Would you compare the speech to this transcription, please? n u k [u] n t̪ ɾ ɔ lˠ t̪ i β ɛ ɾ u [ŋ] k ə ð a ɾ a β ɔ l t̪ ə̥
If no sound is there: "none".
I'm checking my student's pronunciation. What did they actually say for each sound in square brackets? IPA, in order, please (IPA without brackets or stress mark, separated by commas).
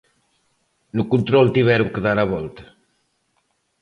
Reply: u, ŋ